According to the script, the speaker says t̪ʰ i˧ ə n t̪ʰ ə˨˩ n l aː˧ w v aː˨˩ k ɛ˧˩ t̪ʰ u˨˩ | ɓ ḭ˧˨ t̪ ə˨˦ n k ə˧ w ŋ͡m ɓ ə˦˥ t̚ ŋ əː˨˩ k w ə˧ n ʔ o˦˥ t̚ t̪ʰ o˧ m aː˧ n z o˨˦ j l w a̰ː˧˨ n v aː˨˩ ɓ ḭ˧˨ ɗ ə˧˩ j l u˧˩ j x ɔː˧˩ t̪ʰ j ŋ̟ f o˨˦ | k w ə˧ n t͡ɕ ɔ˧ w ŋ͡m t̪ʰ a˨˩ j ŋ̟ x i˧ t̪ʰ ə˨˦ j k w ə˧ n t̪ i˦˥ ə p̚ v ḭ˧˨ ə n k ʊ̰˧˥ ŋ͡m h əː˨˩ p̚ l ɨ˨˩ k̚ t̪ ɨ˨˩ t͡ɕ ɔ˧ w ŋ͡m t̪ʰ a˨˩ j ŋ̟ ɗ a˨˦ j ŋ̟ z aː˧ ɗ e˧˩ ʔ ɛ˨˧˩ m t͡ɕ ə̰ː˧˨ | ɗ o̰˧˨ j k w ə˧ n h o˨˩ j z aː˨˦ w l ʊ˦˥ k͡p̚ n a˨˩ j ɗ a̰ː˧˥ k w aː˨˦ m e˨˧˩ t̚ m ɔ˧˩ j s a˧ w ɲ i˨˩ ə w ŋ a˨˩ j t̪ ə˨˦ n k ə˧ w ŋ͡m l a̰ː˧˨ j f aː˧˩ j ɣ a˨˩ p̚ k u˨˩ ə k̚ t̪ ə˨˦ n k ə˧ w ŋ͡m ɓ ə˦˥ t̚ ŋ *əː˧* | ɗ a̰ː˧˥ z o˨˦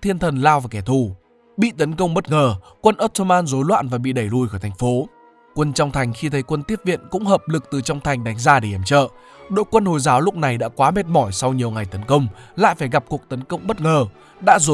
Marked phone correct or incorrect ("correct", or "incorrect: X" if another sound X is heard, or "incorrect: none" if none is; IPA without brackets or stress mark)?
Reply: incorrect: əː˨˩